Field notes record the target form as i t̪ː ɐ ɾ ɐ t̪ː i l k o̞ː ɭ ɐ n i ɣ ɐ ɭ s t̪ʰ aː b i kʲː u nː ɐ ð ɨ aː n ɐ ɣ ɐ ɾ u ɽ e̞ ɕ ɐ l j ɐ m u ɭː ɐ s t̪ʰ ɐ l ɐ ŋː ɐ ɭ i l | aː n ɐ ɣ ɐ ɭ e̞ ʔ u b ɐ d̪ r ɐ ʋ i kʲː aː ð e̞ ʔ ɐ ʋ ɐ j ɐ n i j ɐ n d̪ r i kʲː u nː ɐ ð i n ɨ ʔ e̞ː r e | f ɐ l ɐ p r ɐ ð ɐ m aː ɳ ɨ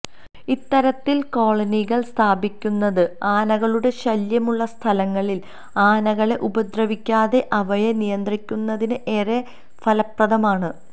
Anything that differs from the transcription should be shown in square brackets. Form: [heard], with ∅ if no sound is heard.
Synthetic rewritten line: i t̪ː ɐ ɾ ɐ t̪ː i l k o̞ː ɭ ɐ n i ɣ ɐ ɭ s t̪ʰ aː b i kʲː u nː ɐ ð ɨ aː n ɐ ɣ ɐ [ɭ] u ɽ e̞ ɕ ɐ l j ɐ m u ɭː ɐ s t̪ʰ ɐ l ɐ ŋː ɐ ɭ i l | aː n ɐ ɣ ɐ ɭ e̞ ʔ u b ɐ d̪ r ɐ ʋ i kʲː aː ð e̞ ʔ ɐ ʋ ɐ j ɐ n i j ɐ n d̪ r i kʲː u nː ɐ ð i n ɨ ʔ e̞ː r e | f ɐ l ɐ p r ɐ ð ɐ m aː ɳ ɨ